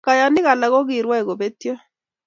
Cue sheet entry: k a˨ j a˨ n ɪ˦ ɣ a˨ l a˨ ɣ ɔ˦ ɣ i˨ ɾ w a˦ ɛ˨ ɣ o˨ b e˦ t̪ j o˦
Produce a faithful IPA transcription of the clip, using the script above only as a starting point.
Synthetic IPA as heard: k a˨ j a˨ n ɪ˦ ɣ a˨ l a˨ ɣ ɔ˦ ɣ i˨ ɾ w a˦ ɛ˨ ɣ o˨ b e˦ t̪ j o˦